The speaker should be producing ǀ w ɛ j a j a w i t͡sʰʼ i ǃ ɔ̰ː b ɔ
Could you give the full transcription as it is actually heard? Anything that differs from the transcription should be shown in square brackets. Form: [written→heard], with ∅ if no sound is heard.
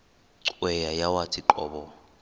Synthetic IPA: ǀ w ɛ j a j a w [i→a] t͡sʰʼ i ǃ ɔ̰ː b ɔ